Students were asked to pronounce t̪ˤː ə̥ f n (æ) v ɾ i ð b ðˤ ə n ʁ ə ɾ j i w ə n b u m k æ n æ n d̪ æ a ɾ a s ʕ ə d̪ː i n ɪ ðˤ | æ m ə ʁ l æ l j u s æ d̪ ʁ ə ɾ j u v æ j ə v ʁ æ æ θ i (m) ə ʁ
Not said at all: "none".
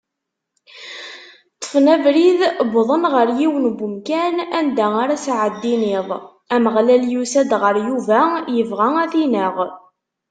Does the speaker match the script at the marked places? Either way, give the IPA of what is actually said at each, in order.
æ, n

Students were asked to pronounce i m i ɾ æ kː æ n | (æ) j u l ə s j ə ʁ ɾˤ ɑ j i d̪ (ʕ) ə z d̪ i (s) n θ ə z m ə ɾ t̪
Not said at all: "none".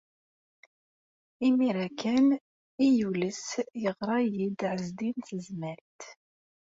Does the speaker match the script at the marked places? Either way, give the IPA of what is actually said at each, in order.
i, ʕ, none

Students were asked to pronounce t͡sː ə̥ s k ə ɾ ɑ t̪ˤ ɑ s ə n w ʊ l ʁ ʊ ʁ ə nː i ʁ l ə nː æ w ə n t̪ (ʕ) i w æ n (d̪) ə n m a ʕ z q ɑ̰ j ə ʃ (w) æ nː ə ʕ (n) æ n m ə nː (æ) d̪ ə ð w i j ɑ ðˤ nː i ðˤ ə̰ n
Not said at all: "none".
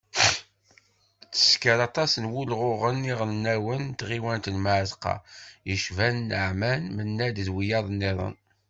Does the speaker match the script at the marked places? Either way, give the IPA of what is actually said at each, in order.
ʁ, t̪, v, m, æ

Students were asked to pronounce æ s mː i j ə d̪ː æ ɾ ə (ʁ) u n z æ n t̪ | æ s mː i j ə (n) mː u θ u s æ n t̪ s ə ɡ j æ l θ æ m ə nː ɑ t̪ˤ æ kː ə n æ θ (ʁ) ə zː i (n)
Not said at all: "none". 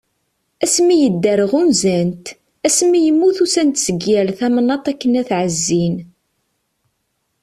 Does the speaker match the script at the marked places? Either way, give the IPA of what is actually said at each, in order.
ʁ, none, ʕ, n

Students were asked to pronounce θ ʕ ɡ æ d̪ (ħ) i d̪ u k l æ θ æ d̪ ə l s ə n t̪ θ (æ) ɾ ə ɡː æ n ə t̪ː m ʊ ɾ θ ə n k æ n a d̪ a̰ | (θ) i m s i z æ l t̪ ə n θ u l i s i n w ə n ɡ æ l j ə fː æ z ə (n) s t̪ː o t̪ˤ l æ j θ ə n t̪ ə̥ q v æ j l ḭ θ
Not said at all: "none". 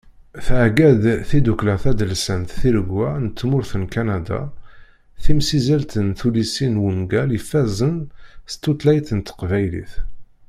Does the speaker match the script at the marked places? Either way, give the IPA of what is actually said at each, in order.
θ, i, θ, n

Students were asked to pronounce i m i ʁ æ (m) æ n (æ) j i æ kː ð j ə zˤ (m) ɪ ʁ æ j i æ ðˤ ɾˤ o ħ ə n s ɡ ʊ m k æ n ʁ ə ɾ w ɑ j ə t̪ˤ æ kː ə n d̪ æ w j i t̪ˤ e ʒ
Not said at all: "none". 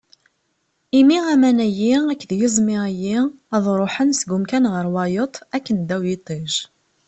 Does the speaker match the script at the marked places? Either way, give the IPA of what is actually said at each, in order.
m, æ, m

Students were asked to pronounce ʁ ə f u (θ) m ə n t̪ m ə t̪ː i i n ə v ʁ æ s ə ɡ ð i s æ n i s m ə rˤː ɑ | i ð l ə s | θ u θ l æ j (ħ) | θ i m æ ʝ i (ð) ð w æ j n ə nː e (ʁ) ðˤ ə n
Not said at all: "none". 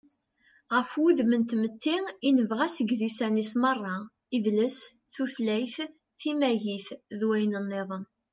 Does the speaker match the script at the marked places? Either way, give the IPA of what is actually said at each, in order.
ð, θ, θ, none

